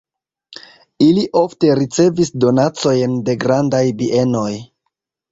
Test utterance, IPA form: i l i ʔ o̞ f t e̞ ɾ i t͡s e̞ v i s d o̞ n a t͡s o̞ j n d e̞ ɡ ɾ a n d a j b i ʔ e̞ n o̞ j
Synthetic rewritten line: i l i ʔ o̞ f t e̞ ɾ i t͡s e̞ v i s d o̞ n a t͡s o̞ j n d e̞ ɡ ɾ a n d a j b i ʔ e̞ n o̞ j